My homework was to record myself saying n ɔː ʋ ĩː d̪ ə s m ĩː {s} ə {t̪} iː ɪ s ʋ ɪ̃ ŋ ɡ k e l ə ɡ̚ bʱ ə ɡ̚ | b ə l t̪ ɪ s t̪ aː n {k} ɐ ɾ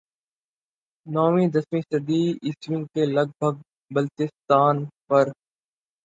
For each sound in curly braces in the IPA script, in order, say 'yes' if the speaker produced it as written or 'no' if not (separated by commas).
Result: yes, no, no